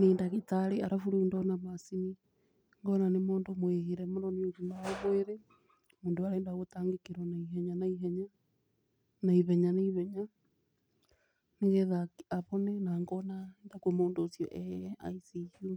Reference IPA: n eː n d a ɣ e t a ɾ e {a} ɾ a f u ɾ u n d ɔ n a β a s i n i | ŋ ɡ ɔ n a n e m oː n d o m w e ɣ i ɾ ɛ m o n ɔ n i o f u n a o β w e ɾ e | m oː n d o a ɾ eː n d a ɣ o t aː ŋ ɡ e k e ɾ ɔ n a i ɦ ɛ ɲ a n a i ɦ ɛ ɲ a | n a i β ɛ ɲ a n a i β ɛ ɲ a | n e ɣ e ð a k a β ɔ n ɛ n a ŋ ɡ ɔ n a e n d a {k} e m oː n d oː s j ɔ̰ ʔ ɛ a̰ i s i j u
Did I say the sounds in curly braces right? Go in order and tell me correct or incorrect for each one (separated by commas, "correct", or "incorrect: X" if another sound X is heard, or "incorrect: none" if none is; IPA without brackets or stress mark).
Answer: correct, correct